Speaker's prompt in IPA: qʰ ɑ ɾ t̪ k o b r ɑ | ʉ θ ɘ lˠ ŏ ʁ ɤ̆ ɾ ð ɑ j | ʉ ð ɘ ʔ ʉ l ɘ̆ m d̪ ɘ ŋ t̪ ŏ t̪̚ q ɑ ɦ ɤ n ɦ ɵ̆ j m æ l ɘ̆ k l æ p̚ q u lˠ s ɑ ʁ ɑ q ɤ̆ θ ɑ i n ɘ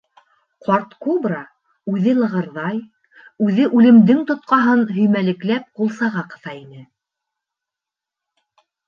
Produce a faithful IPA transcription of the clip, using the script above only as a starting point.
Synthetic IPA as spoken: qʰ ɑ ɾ t̪ k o b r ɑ | ʉ ð ɘ lˠ ɤ̆ ʁ ɤ̆ ɾ ð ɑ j | ʉ ð ɘ ʔ ʉ l ɘ̆ m d̪ ɘ ŋ t̪ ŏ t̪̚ q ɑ ɦ ɤ n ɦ ɵ̆ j m æ l ɘ̆ k l æ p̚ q u lˠ s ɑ ʁ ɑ q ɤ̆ θ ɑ i n ɘ